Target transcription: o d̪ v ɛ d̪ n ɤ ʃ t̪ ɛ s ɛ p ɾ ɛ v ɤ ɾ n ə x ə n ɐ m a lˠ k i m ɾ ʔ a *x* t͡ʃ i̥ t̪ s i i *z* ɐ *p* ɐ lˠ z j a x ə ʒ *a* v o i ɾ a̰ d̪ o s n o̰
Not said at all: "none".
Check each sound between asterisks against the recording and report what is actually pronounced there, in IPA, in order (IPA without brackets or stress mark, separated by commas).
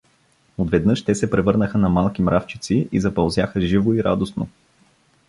f, z, p, i